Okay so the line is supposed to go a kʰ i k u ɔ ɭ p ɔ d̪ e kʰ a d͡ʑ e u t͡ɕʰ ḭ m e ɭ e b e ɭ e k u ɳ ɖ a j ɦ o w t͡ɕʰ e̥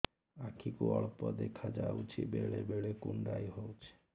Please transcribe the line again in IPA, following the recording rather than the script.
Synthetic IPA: a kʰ i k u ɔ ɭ p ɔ d̪ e kʰ a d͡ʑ a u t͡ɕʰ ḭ b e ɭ e b e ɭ e k u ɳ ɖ a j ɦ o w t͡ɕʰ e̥